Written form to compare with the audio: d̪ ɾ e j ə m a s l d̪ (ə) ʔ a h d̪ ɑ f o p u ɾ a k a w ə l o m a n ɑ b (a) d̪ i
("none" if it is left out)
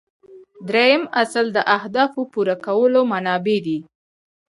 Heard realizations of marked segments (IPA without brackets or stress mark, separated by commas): ə, e